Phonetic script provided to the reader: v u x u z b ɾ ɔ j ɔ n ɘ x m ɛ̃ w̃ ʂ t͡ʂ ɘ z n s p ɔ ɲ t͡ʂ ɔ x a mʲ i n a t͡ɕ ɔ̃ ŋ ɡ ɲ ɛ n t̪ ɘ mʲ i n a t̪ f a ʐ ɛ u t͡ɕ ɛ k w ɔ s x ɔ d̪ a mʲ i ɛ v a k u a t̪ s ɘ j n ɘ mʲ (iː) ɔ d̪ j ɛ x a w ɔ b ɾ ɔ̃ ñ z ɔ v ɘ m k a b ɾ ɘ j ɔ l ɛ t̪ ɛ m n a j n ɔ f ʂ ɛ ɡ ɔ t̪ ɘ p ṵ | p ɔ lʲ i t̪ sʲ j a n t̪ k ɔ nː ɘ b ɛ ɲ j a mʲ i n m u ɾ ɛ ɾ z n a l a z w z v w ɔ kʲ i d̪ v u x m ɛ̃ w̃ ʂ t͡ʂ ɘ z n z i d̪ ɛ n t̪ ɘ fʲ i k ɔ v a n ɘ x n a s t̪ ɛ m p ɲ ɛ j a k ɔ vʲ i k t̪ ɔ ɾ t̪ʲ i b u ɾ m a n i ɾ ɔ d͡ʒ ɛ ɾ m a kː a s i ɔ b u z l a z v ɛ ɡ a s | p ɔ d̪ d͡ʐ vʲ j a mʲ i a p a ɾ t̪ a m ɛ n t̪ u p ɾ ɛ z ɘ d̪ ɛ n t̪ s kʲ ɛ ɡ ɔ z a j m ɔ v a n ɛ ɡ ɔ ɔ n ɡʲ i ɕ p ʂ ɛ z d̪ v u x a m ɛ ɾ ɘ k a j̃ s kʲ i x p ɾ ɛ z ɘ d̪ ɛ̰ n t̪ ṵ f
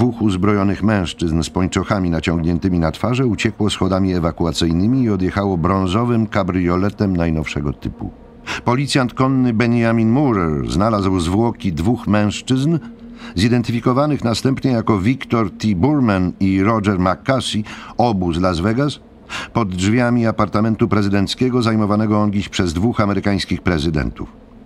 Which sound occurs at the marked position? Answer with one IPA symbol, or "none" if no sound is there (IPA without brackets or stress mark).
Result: iː